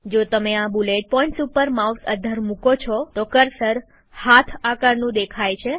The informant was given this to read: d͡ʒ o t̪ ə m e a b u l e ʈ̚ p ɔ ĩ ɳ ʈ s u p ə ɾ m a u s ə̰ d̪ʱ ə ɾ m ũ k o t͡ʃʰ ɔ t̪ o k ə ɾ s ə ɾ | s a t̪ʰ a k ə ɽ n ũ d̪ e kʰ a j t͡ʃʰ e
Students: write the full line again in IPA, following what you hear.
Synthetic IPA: d͡ʒ o t̪ ə m e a b u l e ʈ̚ p ɔ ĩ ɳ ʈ s u p ə ɾ m a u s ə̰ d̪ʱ ə ɾ m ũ k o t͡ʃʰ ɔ t̪ o k ə ɾ s ə ɾ | h a t̪ʰ a k ə ɾ n ũ d̪ e kʰ a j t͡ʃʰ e